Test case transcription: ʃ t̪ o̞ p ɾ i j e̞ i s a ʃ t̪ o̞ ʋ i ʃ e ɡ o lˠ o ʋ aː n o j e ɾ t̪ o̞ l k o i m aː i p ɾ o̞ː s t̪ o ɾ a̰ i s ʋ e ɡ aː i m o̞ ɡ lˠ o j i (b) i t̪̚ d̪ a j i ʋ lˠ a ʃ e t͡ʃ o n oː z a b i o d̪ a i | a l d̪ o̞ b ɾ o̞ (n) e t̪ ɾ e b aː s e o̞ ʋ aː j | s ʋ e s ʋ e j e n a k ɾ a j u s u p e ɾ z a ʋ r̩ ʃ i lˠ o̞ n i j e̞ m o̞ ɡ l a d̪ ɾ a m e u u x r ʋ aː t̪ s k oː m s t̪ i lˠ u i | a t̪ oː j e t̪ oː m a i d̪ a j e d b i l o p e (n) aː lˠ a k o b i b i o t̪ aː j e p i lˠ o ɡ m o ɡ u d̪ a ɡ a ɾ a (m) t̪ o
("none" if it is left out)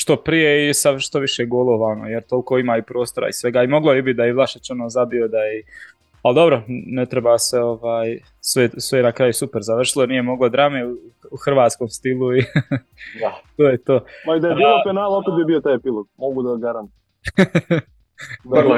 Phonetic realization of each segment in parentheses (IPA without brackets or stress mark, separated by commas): b, n, n, n